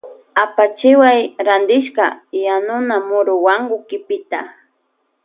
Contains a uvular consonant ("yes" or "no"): no